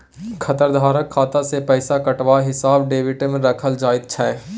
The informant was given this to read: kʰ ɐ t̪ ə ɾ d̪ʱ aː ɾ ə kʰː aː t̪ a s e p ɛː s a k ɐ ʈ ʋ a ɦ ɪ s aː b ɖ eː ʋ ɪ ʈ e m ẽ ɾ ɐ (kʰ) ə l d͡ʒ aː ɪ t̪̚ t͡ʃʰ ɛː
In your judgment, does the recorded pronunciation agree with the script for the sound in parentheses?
yes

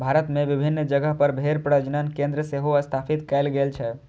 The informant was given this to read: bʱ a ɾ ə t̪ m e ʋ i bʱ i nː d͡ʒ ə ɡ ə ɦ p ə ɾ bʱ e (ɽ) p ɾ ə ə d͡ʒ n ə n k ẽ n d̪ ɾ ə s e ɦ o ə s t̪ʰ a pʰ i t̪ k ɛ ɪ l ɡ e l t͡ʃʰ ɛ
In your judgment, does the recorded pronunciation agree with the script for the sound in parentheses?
no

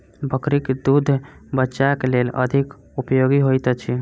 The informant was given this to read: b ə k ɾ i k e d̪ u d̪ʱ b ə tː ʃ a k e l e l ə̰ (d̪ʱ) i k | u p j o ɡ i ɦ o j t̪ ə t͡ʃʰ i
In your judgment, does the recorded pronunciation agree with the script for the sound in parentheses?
yes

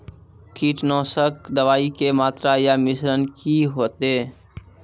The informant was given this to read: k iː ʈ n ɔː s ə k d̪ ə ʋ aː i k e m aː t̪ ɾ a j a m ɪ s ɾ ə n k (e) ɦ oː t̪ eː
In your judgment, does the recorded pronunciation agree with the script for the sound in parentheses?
no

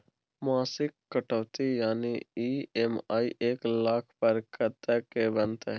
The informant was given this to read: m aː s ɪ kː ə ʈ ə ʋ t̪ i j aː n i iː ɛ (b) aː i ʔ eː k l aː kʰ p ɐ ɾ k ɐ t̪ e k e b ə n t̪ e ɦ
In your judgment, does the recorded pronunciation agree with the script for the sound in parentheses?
no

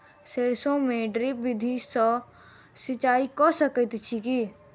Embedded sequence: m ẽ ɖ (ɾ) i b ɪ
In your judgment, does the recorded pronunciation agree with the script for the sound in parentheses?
yes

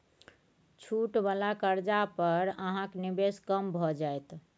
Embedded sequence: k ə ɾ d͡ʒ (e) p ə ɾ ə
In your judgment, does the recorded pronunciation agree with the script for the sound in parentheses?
no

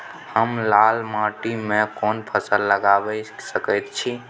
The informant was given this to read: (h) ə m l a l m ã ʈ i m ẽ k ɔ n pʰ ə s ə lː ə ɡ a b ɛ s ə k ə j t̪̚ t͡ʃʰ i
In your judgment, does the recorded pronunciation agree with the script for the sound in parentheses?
yes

